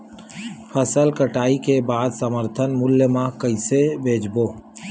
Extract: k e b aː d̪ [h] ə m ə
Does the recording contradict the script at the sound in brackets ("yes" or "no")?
yes